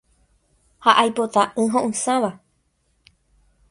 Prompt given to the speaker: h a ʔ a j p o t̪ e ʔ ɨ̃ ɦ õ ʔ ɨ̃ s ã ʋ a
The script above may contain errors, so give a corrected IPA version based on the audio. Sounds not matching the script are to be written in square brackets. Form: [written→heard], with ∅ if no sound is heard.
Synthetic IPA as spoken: h a ʔ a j p o t̪ [e→a] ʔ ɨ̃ ɦ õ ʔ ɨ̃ s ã ʋ a